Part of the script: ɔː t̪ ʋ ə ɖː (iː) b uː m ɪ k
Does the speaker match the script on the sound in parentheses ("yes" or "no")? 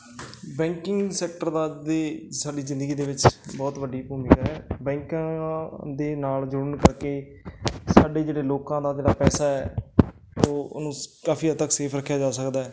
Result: yes